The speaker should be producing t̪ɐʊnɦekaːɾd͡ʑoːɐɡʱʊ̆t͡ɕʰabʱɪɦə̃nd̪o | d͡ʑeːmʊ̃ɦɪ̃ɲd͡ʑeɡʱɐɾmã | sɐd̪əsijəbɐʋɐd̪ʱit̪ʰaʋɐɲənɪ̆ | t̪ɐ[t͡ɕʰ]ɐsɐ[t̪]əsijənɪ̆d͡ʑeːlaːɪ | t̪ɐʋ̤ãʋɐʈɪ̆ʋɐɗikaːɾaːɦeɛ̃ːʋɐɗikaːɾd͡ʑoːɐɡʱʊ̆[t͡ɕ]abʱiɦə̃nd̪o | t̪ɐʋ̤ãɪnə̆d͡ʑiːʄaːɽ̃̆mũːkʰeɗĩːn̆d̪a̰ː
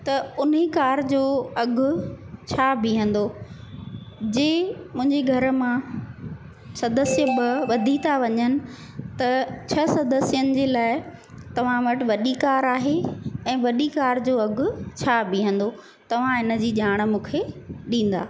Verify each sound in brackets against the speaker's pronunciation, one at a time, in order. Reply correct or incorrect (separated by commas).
correct, incorrect, incorrect